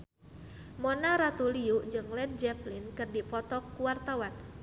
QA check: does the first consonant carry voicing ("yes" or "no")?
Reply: yes